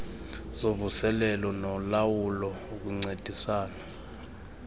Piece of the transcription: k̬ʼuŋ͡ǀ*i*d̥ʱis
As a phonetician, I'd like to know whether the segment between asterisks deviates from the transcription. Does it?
yes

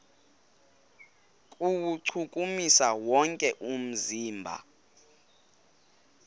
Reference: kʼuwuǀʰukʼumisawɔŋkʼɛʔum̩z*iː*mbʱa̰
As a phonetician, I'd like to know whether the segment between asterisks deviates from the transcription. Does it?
no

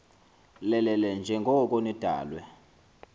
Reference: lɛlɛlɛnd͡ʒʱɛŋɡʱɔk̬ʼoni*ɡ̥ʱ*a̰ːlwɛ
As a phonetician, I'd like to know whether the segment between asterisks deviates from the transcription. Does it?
yes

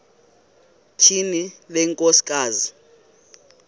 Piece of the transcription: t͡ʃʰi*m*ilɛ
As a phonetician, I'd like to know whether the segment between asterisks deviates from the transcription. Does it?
yes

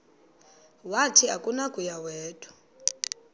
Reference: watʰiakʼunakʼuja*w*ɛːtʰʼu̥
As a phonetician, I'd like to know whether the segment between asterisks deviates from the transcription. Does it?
no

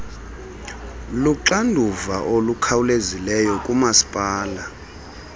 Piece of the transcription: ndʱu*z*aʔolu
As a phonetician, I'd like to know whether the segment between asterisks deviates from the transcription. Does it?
yes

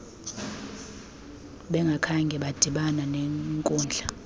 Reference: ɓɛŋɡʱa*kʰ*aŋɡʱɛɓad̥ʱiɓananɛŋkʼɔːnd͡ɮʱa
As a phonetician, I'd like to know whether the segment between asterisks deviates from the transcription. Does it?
no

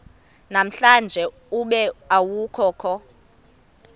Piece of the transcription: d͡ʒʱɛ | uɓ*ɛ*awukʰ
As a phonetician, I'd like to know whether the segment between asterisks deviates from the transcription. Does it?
no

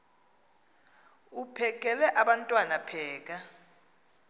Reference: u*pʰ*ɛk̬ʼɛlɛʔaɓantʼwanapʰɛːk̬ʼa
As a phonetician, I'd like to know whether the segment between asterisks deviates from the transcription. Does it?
no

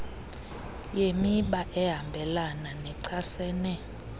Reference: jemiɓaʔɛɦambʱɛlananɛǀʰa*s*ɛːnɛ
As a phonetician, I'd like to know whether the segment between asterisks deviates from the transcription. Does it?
no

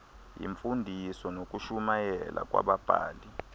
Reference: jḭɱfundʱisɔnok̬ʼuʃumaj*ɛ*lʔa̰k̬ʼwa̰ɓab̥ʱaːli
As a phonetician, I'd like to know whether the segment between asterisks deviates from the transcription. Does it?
no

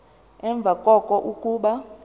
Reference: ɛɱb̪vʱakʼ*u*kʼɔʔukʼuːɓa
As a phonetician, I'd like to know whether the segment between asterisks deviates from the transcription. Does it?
yes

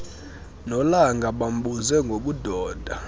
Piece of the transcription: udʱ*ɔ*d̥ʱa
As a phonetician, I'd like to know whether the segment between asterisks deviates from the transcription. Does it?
yes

